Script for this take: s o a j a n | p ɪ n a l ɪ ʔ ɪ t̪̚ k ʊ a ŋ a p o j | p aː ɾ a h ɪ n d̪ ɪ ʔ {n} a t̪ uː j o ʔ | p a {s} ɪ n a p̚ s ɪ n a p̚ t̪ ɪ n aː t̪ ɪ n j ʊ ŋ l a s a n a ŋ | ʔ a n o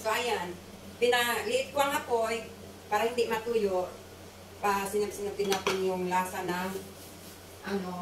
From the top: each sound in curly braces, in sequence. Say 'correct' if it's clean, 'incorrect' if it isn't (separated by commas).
incorrect, correct